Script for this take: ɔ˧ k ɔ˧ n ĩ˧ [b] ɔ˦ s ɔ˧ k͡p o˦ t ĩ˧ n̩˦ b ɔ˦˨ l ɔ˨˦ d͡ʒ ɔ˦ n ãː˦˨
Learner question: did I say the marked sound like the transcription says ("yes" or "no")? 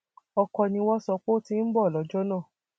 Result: no